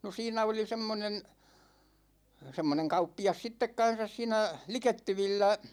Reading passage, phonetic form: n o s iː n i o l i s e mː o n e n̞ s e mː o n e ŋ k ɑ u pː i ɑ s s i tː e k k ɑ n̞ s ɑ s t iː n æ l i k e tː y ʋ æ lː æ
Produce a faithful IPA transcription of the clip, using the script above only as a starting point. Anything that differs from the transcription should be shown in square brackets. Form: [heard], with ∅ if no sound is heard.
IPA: n o s iː n [æ] o l i s e mː o n e n̞ s e mː o n e ŋ k ɑ u pː i ɑ s s i tː e k k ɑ n̞ s ɑ s [s] iː n æ l i k e tː y ʋ [i] lː æ